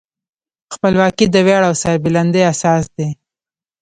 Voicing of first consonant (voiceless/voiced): voiceless